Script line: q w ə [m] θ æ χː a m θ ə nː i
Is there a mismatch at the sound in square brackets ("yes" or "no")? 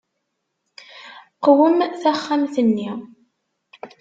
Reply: no